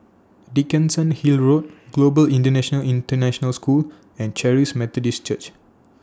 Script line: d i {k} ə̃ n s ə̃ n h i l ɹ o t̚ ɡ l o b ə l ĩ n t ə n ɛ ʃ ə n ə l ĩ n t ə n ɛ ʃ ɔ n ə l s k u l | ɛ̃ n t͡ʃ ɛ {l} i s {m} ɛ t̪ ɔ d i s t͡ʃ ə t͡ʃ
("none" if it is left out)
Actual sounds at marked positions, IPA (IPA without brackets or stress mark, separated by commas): k, ɹ, m